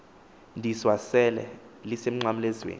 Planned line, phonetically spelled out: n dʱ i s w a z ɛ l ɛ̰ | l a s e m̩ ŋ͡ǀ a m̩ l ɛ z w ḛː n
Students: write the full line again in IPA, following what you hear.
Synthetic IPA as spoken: n dʱ i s w a s ɛ l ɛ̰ | l i s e m̩ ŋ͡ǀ a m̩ l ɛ z w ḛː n

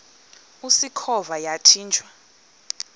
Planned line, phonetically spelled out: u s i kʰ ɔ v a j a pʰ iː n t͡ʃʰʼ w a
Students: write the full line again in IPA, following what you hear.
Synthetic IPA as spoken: u s i kʰ ɔ v a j a tʰ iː n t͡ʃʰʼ w a

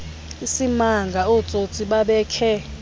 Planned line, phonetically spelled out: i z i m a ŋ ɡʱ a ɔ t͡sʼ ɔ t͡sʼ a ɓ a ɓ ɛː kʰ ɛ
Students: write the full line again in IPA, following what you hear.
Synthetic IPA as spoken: i s i m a ŋ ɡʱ a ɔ t͡sʼ o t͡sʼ i ɓ a ɓ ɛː kʰ ɛ

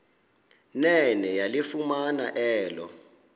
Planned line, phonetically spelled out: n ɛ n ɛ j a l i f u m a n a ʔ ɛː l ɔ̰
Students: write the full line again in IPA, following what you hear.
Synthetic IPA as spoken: n ɛ n ɛ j a l i f u m a n a ʔ ɛː l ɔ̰

